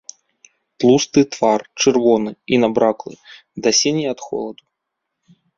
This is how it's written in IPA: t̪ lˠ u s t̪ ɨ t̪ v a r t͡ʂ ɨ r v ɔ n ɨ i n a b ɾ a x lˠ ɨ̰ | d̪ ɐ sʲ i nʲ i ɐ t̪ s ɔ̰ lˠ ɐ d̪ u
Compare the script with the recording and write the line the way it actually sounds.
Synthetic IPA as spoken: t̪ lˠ u s t̪ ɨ t̪ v a r t͡ʂ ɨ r v ɔ n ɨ i n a b ɾ a k lˠ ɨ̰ | d̪ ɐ sʲ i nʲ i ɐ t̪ x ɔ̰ lˠ ɐ d̪ u